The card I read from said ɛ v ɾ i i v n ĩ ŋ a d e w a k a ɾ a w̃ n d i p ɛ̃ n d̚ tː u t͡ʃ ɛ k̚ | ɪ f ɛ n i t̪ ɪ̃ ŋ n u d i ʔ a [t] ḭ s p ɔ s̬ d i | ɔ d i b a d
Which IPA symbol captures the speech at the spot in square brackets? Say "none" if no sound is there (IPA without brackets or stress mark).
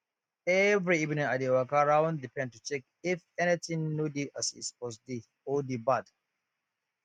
s